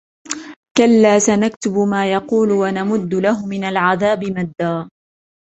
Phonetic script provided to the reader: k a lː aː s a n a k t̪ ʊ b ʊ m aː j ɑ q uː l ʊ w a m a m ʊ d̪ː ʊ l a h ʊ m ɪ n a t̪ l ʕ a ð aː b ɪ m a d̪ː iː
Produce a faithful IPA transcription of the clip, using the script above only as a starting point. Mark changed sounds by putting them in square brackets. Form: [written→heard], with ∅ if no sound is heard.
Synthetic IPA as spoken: k a lː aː s a n a k t̪ ʊ b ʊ m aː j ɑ q uː l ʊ w a [m→n] a m ʊ d̪ː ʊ l a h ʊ m ɪ n a [t̪→∅] l ʕ a ð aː b ɪ m a d̪ː [iː→aː]